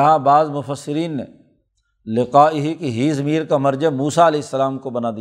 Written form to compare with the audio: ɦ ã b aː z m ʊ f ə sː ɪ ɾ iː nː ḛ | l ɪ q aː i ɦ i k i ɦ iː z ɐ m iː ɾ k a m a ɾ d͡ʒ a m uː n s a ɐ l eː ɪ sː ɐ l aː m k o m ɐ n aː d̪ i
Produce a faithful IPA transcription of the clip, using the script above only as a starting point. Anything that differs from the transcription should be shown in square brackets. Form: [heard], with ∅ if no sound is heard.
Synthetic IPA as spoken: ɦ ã b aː z m ʊ f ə sː ɪ ɾ iː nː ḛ | l ɪ q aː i ɦ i k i ɦ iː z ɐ m iː ɾ k a m [ɐ] ɾ d͡ʒ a m uː [∅] s a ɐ l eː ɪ sː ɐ l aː m k o [b] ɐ n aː d̪ i